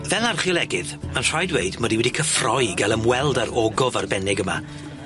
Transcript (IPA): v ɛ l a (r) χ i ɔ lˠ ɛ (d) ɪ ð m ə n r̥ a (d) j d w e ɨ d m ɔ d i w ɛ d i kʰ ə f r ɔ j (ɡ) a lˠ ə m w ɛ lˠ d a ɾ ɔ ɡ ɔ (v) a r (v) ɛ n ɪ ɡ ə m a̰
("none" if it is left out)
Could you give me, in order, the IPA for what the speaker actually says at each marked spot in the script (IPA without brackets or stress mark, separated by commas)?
r, ɡ, none, ɡ, v, b